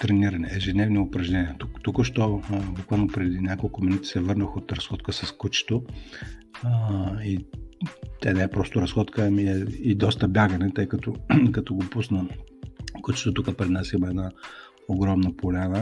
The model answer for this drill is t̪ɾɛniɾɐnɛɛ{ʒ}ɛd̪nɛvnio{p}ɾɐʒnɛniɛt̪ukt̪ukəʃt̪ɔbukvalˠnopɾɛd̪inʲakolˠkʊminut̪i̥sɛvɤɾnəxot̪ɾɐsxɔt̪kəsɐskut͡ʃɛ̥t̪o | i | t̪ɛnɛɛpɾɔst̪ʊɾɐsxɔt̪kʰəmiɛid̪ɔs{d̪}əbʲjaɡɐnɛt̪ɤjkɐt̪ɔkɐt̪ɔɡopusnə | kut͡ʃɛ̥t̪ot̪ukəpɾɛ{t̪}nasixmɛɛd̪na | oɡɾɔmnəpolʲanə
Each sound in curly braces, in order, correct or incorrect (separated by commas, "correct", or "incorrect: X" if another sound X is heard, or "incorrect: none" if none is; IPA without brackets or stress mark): correct, correct, incorrect: t̪, incorrect: d̪